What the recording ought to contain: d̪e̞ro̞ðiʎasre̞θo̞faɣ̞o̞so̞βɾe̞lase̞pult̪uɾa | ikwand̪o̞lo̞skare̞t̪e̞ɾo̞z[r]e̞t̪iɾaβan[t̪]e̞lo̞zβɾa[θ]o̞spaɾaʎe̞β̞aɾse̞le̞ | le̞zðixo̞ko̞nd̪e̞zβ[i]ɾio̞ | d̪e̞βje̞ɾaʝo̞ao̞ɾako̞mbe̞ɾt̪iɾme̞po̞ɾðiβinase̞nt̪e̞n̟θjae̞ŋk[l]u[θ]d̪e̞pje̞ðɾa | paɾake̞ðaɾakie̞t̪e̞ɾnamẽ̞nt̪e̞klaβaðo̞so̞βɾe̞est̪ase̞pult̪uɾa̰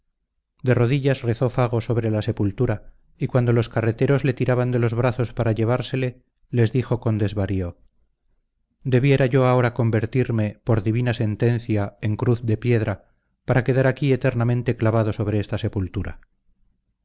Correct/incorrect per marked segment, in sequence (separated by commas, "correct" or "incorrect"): incorrect, incorrect, correct, incorrect, incorrect, correct